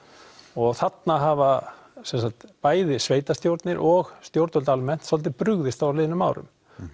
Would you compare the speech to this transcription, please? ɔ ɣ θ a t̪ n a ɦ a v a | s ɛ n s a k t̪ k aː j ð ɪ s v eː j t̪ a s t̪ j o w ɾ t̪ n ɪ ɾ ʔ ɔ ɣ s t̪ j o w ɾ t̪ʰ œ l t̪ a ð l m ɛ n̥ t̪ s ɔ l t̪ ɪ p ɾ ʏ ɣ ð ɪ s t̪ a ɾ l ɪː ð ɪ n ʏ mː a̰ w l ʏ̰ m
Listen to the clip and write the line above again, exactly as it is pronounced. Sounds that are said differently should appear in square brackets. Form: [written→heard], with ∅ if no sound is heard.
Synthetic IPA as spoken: ɔ ɣ θ a t̪ n a ɦ a v a | s ɛ n s a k t̪ [k→p] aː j ð ɪ s v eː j t̪ a s t̪ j o w ɾ t̪ n ɪ ɾ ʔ ɔ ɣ s t̪ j o w ɾ [t̪ʰ→t̪] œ l t̪ a [ð→∅] l m ɛ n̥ t̪ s ɔ l t̪ ɪ p ɾ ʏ ɣ ð ɪ s t̪ a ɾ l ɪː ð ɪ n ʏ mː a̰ w [l→ɾ] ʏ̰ m